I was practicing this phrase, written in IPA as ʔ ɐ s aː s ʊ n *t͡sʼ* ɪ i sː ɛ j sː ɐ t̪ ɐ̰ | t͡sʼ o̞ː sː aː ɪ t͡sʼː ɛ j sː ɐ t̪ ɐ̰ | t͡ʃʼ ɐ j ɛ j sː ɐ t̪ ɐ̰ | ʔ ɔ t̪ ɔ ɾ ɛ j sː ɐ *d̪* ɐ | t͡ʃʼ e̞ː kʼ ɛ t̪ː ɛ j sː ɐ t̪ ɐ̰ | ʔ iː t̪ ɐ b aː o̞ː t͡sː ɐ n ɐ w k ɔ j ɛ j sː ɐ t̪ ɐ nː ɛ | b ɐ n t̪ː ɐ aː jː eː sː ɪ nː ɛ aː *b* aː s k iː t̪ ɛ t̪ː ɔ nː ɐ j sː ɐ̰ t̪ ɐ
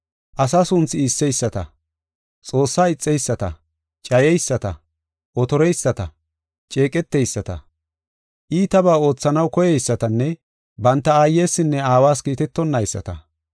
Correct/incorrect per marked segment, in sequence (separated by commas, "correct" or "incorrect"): incorrect, incorrect, incorrect